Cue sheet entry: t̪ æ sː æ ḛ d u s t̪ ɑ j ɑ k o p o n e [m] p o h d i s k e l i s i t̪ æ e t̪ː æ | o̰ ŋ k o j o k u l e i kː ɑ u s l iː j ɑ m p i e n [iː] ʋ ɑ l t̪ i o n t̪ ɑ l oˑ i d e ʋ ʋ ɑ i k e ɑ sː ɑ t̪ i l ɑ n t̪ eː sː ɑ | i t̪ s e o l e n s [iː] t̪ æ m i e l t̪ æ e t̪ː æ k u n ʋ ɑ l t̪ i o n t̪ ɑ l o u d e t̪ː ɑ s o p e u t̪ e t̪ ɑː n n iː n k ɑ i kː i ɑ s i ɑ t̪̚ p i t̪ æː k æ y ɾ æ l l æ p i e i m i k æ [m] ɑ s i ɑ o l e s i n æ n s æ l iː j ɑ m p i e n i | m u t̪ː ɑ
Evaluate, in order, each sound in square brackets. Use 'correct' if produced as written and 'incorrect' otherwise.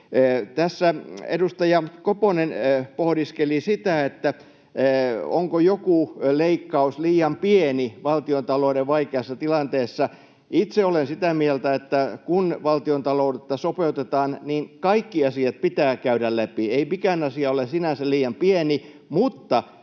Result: incorrect: n, incorrect: i, incorrect: i, incorrect: n

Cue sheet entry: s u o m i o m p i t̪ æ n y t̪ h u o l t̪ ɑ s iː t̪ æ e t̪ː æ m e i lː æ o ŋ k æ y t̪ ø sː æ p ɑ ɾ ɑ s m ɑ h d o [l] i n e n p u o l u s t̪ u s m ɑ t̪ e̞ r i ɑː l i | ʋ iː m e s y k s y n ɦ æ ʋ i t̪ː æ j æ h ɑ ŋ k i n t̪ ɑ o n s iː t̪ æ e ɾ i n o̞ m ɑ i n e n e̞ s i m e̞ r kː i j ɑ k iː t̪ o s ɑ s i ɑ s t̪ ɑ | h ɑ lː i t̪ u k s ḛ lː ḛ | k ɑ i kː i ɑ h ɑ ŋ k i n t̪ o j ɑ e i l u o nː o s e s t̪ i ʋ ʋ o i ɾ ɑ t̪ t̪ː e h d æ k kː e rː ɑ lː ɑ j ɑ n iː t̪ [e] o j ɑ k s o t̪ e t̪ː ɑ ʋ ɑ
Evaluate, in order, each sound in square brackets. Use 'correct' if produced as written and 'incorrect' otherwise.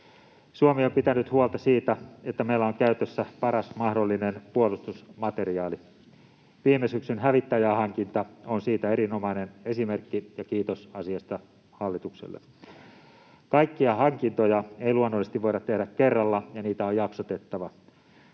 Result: incorrect: lː, incorrect: æ

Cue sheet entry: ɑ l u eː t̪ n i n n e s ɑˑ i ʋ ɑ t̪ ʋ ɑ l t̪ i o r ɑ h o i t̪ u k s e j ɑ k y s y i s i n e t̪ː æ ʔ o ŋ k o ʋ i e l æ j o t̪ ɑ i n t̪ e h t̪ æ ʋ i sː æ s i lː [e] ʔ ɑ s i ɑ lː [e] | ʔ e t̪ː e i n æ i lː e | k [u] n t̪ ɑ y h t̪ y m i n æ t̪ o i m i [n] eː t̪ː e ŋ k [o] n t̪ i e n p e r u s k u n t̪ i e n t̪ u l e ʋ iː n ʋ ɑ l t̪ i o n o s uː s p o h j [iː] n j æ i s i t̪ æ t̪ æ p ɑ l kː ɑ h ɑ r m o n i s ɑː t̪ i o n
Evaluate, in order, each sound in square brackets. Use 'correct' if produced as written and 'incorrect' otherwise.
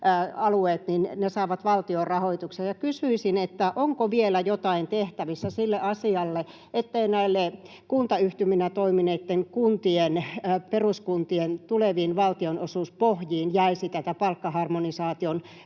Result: correct, correct, correct, correct, incorrect: u, correct

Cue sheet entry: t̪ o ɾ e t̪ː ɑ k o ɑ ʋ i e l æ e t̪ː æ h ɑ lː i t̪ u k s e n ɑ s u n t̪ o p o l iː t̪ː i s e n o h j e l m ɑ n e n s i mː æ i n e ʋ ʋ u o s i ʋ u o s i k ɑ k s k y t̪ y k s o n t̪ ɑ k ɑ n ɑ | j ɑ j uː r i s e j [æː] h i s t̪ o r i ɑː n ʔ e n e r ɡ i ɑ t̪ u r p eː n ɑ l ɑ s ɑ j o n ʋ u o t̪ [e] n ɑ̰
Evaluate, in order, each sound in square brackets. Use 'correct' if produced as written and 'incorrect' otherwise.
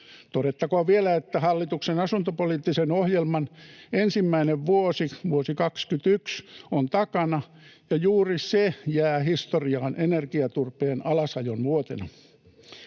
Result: correct, correct

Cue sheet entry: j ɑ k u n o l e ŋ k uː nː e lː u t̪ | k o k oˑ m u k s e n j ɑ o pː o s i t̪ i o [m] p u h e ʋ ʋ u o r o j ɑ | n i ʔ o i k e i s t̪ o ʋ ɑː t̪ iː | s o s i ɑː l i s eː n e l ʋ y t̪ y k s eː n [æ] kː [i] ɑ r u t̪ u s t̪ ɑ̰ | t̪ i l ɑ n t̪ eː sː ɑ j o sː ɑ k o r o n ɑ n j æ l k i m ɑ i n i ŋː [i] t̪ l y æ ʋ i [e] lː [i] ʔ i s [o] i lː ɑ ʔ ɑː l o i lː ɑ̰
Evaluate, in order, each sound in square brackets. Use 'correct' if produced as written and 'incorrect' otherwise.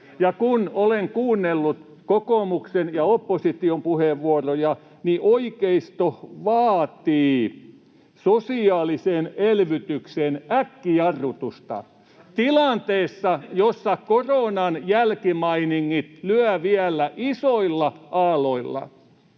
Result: correct, correct, correct, correct, incorrect: æ, incorrect: æ, correct

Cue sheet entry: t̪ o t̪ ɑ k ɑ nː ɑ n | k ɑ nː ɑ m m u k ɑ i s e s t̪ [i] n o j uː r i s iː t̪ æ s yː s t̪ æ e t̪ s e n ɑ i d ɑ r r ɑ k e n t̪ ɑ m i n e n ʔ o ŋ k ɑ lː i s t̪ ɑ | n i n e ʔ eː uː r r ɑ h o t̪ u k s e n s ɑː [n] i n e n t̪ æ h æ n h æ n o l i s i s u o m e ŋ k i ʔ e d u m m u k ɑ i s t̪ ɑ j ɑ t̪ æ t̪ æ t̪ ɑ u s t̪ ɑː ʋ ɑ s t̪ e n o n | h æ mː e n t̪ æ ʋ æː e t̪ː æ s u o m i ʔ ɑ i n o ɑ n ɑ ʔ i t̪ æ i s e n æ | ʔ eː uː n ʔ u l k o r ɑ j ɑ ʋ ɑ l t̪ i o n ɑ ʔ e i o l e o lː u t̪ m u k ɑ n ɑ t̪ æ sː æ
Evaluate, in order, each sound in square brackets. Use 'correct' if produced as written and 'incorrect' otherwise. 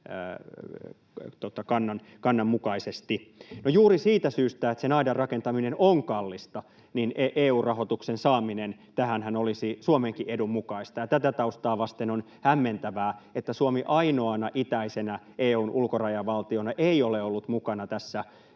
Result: correct, incorrect: m

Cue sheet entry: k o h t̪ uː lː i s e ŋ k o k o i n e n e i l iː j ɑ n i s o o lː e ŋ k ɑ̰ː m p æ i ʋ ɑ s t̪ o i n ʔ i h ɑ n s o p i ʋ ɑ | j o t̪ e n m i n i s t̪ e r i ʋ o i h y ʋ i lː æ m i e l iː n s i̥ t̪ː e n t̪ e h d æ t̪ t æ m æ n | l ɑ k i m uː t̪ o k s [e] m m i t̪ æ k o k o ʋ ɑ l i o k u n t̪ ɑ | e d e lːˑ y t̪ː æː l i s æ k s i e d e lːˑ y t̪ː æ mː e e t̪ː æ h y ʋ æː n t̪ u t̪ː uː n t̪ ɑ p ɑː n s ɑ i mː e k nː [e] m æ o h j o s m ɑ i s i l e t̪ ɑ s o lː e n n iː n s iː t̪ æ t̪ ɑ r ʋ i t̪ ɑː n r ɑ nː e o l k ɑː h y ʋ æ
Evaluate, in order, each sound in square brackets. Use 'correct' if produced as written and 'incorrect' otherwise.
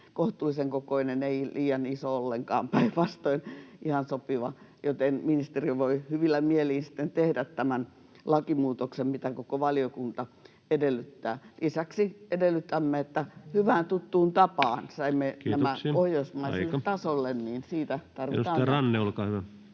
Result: correct, incorrect: æ

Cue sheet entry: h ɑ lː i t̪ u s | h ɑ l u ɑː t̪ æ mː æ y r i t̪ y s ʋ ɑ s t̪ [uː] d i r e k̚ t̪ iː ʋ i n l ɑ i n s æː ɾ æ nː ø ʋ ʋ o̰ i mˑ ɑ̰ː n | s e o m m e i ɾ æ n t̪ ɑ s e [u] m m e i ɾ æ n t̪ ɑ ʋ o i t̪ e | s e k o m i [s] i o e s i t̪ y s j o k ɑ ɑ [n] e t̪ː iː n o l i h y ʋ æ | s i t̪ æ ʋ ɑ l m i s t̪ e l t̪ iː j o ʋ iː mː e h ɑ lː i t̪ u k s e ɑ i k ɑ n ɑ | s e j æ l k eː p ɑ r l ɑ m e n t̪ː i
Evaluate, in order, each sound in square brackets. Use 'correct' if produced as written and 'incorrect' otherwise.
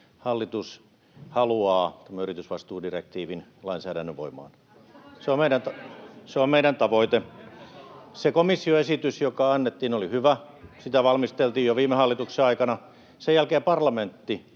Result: correct, incorrect: o, incorrect: sː, incorrect: nː

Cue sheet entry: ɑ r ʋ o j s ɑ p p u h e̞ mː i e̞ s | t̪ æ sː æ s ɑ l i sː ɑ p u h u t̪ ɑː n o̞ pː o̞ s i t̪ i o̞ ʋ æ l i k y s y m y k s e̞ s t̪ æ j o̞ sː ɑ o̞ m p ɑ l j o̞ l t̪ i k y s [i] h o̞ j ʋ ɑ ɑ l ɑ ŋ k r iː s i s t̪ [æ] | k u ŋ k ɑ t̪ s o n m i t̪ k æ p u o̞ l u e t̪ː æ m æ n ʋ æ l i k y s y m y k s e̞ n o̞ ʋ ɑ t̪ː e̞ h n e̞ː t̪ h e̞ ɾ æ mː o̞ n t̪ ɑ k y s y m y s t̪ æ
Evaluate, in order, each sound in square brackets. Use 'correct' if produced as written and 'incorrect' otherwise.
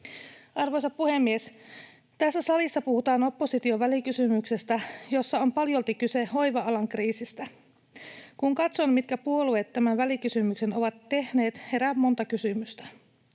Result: incorrect: e, correct

